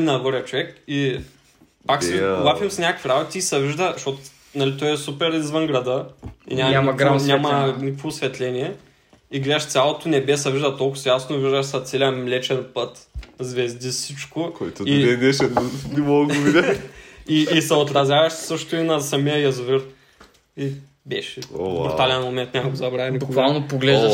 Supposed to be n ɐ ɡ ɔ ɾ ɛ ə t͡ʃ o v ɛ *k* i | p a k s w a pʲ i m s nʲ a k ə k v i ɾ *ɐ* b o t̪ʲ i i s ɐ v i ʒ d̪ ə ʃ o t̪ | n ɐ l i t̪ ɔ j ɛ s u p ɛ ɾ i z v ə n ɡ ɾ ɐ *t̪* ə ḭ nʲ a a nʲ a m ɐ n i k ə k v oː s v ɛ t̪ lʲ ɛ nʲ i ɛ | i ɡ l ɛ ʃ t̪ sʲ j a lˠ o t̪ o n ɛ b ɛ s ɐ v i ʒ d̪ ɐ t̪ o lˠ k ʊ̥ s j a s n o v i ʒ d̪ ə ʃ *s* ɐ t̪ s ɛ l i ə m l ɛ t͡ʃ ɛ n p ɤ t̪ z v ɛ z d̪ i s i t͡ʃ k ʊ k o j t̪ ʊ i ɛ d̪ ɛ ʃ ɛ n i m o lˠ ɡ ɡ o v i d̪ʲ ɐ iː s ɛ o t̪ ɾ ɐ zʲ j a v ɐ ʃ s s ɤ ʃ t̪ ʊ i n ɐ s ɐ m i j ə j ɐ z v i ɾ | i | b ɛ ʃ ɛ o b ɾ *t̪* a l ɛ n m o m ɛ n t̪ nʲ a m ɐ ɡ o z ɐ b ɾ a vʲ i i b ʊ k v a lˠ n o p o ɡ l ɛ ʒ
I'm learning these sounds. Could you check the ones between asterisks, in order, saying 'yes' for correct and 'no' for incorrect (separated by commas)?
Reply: yes, no, no, yes, yes